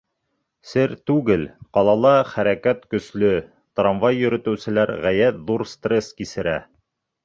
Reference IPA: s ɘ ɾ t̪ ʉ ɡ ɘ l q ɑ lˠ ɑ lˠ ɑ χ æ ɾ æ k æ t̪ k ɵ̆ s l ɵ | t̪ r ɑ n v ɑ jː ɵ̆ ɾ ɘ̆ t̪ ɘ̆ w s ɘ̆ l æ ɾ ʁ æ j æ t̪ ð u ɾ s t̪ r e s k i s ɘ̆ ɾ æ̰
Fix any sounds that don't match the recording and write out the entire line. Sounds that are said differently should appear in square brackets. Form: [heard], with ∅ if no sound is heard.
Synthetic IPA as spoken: s ɘ ɾ t̪ ʉ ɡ ɘ l q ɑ lˠ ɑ lˠ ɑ χ æ ɾ æ k æ t̪ k ɵ̆ s l ɵ | t̪ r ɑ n v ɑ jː ɵ̆ ɾ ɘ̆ t̪ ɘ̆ w s ɘ̆ l æ ɾ ʁ æ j æ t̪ ð u ɾ s t̪ r e s k i s ɘ̆ ɾ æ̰